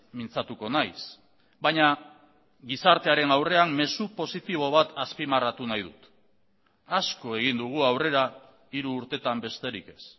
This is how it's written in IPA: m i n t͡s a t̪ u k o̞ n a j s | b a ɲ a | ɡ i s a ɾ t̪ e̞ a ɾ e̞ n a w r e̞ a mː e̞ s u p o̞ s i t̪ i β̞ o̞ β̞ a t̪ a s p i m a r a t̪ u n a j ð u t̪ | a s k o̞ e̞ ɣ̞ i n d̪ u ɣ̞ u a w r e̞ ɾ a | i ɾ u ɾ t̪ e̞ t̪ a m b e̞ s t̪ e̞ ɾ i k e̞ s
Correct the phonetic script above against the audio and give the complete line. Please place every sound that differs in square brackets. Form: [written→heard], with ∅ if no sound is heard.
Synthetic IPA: m i n t͡s a t̪ u k o̞ n a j s | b a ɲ a | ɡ i s a ɾ t̪ e̞ a ɾ e̞ n a w r e̞ a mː e̞ s u p o̞ s i t̪ i β̞ o̞ β̞ a t̪ a s p i m a r a t̪ u n a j ð u t̪ | a s k o̞ e̞ ɣ̞ i n d̪ u ɣ̞ u a w r e̞ ɾ a | i ɾ [u→uː] ɾ t̪ e̞ t̪ a m b e̞ s t̪ e̞ ɾ i k e̞ s